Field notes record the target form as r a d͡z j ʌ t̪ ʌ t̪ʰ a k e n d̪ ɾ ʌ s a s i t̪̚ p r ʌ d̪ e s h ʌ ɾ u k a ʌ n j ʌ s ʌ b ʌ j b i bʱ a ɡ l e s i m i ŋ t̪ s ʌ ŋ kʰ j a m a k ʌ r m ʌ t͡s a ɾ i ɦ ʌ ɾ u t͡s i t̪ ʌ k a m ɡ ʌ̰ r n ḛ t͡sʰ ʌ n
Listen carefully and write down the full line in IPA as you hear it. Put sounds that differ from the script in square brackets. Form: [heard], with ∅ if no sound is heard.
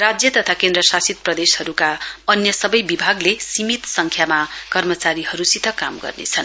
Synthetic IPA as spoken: r a d͡z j ʌ t̪ ʌ t̪ʰ a k e n d̪ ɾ ʌ s a s i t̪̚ p r ʌ d̪ e s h ʌ ɾ u k a ʌ n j ʌ s ʌ b ʌ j b i bʱ a ɡ l e s i m i [∅] t̪ s ʌ ŋ kʰ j a m a k ʌ r m ʌ t͡s a ɾ i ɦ ʌ ɾ u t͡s i t̪ ʌ k a m ɡ ʌ̰ r n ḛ t͡sʰ ʌ n